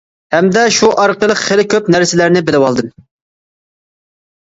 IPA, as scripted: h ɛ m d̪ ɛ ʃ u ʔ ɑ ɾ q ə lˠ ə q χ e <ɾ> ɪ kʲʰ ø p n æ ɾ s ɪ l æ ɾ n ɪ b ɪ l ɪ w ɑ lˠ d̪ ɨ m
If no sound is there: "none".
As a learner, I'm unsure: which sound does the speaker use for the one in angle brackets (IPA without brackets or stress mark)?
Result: l